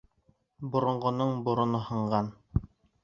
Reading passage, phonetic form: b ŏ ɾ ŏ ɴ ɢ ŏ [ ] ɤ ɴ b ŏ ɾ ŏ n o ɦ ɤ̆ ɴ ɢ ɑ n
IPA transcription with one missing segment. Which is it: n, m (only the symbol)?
n